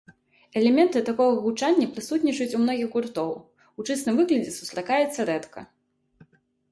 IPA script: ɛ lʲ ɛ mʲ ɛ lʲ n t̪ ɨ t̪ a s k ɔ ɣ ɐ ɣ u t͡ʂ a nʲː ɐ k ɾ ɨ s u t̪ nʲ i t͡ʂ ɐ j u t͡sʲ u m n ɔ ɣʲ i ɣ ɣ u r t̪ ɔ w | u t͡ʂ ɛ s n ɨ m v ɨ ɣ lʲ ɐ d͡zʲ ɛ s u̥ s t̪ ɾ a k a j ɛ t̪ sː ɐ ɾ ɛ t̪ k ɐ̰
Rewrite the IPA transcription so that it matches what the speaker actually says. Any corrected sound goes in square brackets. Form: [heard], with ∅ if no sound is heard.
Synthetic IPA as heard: ɛ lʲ ɛ mʲ ɛ [∅] n t̪ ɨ t̪ a [∅] k ɔ ɣ ɐ ɣ u t͡ʂ a nʲː ɐ [p] ɾ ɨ s u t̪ nʲ i t͡ʂ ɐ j u t͡sʲ u m n ɔ ɣʲ i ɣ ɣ u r t̪ ɔ w | u t͡ʂ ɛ s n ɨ m v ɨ ɣ lʲ ɐ d͡zʲ ɛ s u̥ s t̪ ɾ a k a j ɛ t̪ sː ɐ ɾ ɛ t̪ k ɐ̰